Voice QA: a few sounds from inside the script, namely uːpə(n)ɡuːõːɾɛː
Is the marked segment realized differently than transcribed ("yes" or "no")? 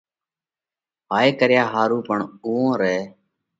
yes